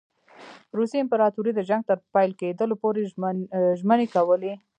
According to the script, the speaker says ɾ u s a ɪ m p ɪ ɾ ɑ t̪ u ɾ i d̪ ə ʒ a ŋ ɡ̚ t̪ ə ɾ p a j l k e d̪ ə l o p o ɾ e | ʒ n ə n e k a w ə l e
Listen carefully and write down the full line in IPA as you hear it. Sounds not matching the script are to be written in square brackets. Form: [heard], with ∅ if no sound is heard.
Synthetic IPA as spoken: ɾ u s [i] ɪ m p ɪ ɾ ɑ t̪ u ɾ i d̪ ə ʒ a ŋ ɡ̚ t̪ ə ɾ p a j l k e d̪ ə l o p o ɾ e | ʒ [m] ə n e k a w ə l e